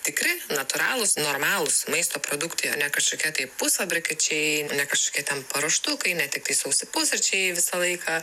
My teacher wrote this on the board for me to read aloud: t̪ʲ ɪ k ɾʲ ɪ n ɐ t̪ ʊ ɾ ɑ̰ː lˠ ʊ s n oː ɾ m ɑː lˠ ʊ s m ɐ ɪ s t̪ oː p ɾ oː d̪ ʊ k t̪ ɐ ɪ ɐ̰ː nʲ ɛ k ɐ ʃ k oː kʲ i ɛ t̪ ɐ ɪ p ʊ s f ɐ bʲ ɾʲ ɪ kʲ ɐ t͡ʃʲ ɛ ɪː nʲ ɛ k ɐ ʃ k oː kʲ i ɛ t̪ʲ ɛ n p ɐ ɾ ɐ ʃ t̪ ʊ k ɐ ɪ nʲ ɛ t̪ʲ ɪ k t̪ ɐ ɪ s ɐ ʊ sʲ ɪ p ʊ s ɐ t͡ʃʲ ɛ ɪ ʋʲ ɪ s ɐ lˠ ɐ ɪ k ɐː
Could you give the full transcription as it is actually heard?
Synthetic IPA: t̪ʲ ɪ k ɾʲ ɪ n ɐ t̪ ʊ ɾ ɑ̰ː lˠ ʊ s n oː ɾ m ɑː lˠ ʊ s m ɐ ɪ s t̪ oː p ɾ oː d̪ ʊ k t̪ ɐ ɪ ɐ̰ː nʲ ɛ k ɐ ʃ k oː kʲ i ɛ t̪ ɐ ɪ p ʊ s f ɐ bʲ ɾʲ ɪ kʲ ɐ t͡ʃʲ ɛ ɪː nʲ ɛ k ɐ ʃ k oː kʲ i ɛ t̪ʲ ɛ n p ɐ ɾ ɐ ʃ t̪ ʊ k ɐ ɪ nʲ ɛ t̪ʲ ɪ k t̪ ɐ ɪ s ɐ ʊ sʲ ɪ p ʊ s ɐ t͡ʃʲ ɛ ɪ ʋʲ ɪ s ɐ lˠ ɐ ɪ k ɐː

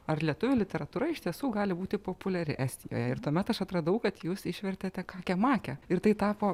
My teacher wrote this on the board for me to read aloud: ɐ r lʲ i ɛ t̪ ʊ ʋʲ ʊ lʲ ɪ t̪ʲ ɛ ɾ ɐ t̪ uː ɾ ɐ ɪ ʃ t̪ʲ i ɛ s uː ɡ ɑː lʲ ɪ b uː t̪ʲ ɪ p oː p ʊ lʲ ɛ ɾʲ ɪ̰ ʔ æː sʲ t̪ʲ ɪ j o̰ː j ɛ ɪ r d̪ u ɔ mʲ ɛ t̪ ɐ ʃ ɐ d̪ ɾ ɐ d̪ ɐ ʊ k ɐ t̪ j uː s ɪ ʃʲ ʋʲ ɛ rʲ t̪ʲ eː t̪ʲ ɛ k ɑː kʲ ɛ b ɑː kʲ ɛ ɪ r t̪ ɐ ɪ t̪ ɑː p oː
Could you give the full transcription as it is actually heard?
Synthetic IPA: ɐ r lʲ i ɛ t̪ ʊ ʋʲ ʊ lʲ ɪ t̪ʲ ɛ ɾ ɐ t̪ uː ɾ ɐ ɪ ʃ t̪ʲ i ɛ s uː ɡ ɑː lʲ ɪ b uː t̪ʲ ɪ p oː p ʊ lʲ ɛ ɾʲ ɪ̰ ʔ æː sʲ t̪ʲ ɪ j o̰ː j ɛ ɪ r t̪ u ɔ mʲ ɛ t̪ ɐ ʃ ɐ t̪ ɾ ɐ d̪ ɐ ʊ k ɐ t̪ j uː s ɪ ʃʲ ʋʲ ɛ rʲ t̪ʲ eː t̪ʲ ɛ k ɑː kʲ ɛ m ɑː kʲ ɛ ɪ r t̪ ɐ ɪ t̪ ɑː p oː

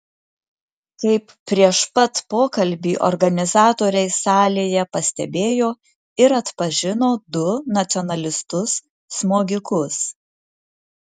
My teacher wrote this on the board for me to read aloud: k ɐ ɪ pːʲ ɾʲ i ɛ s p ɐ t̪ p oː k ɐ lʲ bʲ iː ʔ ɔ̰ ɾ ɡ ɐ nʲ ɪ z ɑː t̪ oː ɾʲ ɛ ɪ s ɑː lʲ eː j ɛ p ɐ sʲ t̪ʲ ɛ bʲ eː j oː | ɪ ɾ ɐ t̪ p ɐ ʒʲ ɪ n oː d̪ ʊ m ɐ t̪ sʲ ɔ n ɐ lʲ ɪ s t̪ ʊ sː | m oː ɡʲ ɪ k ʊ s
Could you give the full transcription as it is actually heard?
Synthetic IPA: k ɐ ɪ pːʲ ɾʲ i ɛ ʃ p ɐ t̪ p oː k ɐ lʲ bʲ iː ʔ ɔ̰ ɾ ɡ ɐ nʲ ɪ z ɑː t̪ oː ɾʲ ɛ ɪ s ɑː lʲ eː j ɛ p ɐ sʲ t̪ʲ ɛ bʲ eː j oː | ɪ ɾ ɐ t̪ p ɐ ʒʲ ɪ n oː d̪ ʊ n ɐ t̪ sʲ ɔ n ɐ lʲ ɪ s t̪ ʊ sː | m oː ɡʲ ɪ k ʊ s

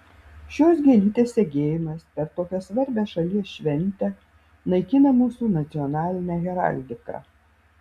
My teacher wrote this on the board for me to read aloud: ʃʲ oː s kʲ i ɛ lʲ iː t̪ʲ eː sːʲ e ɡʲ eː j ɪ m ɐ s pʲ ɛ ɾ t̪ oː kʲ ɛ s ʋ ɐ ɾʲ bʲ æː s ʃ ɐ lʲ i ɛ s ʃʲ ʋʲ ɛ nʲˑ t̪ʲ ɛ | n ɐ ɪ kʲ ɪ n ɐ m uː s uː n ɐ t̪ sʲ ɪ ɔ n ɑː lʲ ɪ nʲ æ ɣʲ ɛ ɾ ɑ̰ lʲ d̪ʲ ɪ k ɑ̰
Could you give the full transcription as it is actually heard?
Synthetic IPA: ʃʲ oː s ɡʲ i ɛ lʲ iː t̪ʲ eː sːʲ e ɡʲ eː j ɪ m ɐ s pʲ ɛ ɾ t̪ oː kʲ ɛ s ʋ ɐ ɾʲ bʲ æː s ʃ ɐ lʲ i ɛ s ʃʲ ʋʲ ɛ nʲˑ t̪ʲ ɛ | n ɐ ɪ kʲ ɪ n ɐ m uː s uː n ɐ t̪ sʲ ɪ ɔ n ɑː lʲ ɪ nʲ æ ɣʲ ɛ ɾ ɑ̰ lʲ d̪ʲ ɪ k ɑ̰

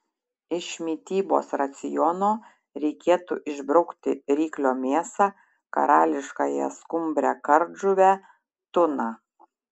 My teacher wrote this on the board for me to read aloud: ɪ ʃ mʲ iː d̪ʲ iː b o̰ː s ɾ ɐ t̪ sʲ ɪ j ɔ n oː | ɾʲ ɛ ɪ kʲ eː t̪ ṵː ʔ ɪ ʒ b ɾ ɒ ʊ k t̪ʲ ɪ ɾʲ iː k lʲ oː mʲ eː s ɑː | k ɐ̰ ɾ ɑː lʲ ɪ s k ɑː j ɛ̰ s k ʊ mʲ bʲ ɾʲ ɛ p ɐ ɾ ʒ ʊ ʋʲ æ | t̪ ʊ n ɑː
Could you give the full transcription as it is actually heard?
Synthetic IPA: ɪ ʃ mʲ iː t̪ʲ iː b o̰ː s ɾ ɐ t̪ sʲ ɪ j ɔ n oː | ɾʲ ɛ ɪ kʲ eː t̪ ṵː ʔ ɪ ʒ b ɾ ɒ ʊ k t̪ʲ ɪ ɾʲ iː k lʲ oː mʲ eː s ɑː | k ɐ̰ ɾ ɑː lʲ ɪ ʃ k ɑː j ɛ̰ s k ʊ mʲ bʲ ɾʲ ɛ k ɐ ɾ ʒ ʊ ʋʲ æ | t̪ ʊ n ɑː

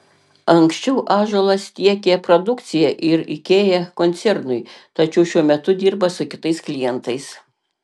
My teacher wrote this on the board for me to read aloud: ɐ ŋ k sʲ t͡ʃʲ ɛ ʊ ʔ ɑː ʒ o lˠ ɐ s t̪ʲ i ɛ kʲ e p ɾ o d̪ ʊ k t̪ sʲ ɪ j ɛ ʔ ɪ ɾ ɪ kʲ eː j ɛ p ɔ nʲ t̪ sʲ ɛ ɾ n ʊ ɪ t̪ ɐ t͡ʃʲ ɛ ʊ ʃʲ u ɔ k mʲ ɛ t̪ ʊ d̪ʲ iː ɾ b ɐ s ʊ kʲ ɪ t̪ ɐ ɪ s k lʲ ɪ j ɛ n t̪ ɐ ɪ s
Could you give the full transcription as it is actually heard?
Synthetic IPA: ɐ ŋ k sʲ t͡ʃʲ ɛ ʊ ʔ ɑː ʒ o lˠ ɐ s t̪ʲ i ɛ kʲ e p ɾ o d̪ ʊ k t̪ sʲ ɪ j ɛ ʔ ɪ ɾ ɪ kʲ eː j ɛ k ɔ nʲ t̪ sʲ ɛ ɾ n ʊ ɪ t̪ ɐ t͡ʃʲ ɛ ʊ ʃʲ u ɔ mʲ ɛ t̪ ʊ d̪ʲ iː ɾ b ɐ s ʊ kʲ ɪ t̪ ɐ ɪ s k lʲ ɪ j ɛ n t̪ ɐ ɪ s

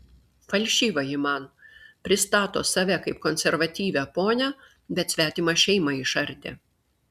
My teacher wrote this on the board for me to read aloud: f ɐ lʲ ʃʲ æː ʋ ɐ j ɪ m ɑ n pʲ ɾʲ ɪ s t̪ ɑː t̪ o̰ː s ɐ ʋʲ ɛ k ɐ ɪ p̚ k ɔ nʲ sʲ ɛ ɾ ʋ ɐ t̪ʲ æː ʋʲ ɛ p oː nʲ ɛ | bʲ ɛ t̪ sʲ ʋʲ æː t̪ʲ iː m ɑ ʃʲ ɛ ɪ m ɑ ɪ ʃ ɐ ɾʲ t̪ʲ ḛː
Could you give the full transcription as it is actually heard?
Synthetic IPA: f ɐ lʲ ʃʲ iː ʋ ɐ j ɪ m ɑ n pʲ ɾʲ ɪ s t̪ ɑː t̪ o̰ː s ɐ ʋʲ ɛ k ɐ ɪ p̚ k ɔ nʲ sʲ ɛ ɾ ʋ ɐ t̪ʲ iː ʋʲ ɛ p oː nʲ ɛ | bʲ ɛ t̪ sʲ ʋʲ æː t̪ʲ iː m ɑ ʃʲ ɛ ɪ m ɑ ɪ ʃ ɐ ɾʲ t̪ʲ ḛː

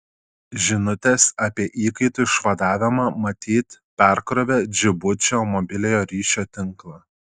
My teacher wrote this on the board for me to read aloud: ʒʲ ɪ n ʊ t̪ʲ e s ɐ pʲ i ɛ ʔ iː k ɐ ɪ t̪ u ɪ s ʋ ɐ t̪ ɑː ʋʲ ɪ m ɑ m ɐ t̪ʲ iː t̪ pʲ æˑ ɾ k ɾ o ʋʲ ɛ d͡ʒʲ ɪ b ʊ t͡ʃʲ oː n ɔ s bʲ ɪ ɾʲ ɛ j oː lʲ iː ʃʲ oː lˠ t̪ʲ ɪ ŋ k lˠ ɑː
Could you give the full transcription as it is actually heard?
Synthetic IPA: ʒʲ ɪ n ʊ t̪ʲ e s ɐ pʲ i ɛ ʔ iː k ɐ ɪ t̪ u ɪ ʃ ʋ ɐ d̪ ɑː ʋʲ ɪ m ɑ m ɐ t̪ʲ iː t̪ pʲ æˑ ɾ k ɾ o ʋʲ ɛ d͡ʒʲ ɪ b ʊ t͡ʃʲ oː m ɔ bʲ ɪ lʲ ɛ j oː ɾʲ iː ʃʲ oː t̪ʲ ɪ ŋ k lˠ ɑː

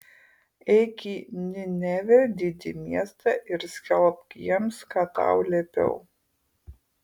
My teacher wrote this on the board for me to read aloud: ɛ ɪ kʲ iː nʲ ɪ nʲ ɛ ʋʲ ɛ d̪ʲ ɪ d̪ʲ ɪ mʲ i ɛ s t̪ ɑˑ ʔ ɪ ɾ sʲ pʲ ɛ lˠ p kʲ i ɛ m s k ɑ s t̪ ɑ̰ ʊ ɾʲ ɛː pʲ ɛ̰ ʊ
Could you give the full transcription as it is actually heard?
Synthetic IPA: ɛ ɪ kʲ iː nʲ ɪ nʲ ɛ ʋʲ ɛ d̪ʲ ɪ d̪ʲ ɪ mʲ i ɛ s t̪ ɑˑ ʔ ɪ ɾ sʲ kʲ ɛ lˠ p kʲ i ɛ m s k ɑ t̪ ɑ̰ ʊ lʲ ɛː pʲ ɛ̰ ʊ

